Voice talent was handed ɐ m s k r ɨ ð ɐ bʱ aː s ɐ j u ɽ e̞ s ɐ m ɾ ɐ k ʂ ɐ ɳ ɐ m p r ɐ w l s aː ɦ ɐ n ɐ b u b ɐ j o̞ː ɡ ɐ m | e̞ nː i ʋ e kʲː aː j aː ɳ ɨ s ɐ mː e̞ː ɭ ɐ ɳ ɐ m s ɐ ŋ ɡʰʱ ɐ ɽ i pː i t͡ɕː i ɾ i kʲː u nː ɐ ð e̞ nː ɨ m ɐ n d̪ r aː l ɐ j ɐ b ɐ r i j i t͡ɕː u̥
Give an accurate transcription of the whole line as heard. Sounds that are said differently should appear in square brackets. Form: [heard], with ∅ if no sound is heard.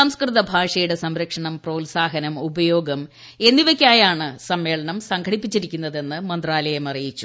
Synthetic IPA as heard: ɐ m s k r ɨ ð ɐ bʱ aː [ʂ] ɐ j u ɽ e̞ s ɐ m ɾ ɐ k ʂ ɐ ɳ ɐ m p r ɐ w l s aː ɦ ɐ n ɐ [m] u b ɐ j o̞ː ɡ ɐ m | e̞ nː i ʋ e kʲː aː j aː ɳ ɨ s ɐ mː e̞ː ɭ ɐ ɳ ɐ m s ɐ ŋ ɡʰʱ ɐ ɽ i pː i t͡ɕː i ɾ i kʲː u nː ɐ ð e̞ nː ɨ m ɐ n d̪ r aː l ɐ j ɐ [m] ɐ r i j i t͡ɕː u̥